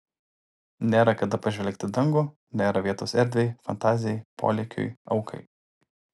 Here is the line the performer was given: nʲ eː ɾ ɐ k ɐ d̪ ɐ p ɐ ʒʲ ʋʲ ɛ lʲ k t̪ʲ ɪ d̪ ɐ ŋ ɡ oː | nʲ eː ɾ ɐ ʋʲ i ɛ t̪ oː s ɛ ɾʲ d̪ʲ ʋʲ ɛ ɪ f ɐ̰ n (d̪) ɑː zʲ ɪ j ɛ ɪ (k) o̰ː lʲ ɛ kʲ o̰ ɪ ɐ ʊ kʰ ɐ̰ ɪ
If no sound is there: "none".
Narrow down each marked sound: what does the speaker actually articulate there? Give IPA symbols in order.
t̪, p

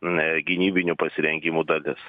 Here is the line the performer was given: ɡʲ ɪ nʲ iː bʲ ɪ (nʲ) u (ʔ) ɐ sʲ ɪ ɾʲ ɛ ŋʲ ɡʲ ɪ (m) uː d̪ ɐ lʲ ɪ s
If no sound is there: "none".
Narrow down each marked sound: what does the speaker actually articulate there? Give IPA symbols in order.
nʲ, p, m

